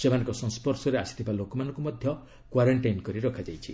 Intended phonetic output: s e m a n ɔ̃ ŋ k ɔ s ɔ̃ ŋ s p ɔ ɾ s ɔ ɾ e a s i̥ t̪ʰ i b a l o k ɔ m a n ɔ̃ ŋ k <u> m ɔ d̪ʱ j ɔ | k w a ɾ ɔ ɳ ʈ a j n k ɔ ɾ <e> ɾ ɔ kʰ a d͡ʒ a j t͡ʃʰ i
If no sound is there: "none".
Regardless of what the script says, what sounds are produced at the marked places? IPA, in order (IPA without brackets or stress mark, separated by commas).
u, i